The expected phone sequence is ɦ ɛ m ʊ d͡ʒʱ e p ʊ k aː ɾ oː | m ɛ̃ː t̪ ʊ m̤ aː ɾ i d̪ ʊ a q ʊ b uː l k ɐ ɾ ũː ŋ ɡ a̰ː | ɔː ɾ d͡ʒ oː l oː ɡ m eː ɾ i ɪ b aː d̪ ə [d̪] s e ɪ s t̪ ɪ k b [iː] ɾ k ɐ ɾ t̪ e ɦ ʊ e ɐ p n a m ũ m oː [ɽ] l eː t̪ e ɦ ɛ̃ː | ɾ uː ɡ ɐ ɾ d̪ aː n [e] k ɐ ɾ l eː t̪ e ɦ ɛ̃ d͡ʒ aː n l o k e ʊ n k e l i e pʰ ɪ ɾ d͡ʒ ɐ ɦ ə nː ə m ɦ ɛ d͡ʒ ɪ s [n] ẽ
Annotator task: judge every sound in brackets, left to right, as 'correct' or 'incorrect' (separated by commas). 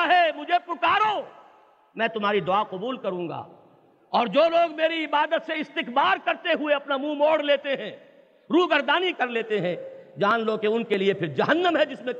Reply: incorrect, incorrect, correct, incorrect, incorrect